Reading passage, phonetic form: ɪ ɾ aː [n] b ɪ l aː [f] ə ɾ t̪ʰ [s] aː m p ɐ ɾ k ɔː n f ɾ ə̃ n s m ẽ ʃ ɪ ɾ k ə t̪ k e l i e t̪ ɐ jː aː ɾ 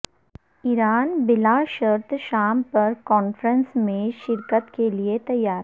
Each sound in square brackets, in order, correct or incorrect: correct, incorrect, incorrect

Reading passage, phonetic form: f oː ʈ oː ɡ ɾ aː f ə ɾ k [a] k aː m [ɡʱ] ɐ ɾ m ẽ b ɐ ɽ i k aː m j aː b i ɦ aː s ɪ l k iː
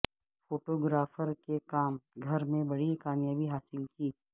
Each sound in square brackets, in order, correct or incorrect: incorrect, correct

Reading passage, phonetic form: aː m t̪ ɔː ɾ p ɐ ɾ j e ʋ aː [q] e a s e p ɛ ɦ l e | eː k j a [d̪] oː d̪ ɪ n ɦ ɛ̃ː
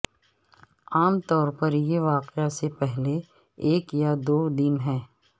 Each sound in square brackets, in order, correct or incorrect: correct, correct

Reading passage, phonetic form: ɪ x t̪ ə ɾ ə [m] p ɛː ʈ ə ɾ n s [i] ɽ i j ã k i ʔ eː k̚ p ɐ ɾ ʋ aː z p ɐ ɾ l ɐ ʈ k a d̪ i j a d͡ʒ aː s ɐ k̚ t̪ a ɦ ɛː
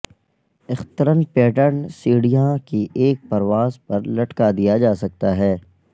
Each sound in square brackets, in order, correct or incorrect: incorrect, incorrect

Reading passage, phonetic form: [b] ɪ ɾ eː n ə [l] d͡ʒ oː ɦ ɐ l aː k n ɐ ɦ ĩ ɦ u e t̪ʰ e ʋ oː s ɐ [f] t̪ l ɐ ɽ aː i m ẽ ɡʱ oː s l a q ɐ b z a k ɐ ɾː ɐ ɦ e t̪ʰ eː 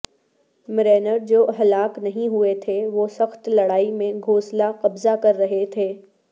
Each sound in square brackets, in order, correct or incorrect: incorrect, incorrect, incorrect

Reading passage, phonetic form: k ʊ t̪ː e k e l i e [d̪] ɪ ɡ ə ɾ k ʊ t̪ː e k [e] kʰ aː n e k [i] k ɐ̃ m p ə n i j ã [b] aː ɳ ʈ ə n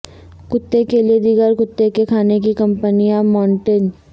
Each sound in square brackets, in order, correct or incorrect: correct, correct, correct, incorrect

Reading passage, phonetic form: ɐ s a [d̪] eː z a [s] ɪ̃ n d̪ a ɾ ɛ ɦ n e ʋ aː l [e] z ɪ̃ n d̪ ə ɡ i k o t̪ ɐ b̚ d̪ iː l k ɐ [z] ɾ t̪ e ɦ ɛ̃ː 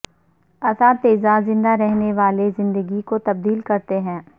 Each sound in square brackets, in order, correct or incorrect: incorrect, incorrect, correct, incorrect

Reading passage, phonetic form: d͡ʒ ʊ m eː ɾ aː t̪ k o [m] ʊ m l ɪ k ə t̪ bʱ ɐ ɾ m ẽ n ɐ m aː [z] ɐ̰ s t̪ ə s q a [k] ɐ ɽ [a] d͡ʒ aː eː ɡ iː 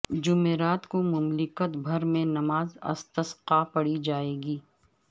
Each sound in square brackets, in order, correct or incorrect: correct, correct, incorrect, incorrect

